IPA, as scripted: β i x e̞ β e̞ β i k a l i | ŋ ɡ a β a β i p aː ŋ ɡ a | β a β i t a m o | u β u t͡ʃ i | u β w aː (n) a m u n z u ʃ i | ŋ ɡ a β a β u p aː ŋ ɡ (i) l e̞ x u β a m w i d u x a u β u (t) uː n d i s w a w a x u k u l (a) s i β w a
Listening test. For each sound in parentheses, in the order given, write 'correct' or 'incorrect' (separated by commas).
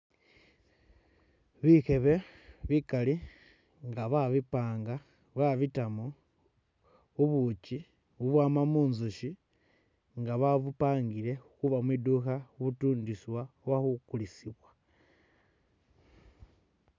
incorrect, correct, correct, incorrect